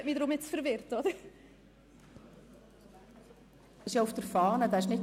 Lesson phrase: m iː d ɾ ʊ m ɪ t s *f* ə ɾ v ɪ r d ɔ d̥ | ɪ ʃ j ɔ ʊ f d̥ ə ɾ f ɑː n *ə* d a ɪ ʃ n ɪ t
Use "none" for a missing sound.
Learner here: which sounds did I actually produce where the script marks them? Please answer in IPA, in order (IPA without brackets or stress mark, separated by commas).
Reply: f, ə